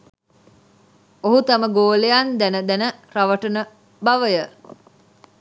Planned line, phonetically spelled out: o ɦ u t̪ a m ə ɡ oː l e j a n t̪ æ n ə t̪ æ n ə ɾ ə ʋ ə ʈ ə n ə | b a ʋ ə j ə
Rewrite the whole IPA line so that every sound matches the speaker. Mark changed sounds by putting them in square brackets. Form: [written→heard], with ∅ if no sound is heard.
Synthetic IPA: o ɦ u t̪ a m ə ɡ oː l e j a n [t̪→d̪] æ n ə [t̪→d̪] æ n ə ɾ [ə→a] ʋ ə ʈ ə n ə | b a ʋ ə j ə